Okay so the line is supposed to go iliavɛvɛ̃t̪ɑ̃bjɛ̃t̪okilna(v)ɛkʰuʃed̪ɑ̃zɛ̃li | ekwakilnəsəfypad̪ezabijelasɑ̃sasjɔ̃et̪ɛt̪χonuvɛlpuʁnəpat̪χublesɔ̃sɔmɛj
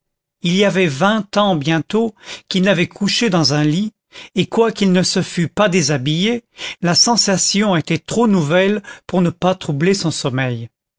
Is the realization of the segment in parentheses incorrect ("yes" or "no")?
no